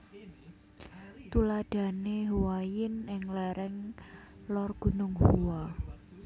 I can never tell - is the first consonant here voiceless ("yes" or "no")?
yes